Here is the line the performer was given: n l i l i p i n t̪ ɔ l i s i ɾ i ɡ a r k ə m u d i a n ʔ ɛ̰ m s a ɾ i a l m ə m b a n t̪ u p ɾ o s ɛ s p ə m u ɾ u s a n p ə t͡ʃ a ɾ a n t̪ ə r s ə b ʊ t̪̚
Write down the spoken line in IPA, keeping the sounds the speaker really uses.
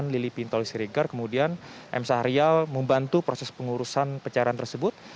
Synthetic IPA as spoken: n l i l i p i n t̪ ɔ l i s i ɾ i ɡ a r k ə m u d i a n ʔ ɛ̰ m s a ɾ i a l m ə m b a n t̪ u p ɾ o s ɛ s p ə ŋ u ɾ u s a n p ə t͡ʃ a ɾ a n t̪ ə r s ə b ʊ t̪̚